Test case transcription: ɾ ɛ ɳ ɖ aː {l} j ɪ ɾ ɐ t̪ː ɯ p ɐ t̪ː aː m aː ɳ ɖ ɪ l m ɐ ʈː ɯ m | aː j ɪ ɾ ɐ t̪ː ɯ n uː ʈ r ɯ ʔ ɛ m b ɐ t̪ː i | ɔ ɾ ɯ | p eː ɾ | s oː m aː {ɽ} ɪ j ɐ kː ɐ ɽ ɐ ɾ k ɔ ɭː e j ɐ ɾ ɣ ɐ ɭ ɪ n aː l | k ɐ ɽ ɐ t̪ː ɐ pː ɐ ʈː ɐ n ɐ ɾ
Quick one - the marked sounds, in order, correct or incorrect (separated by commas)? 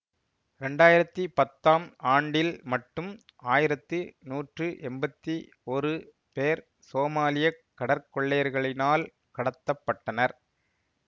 incorrect, incorrect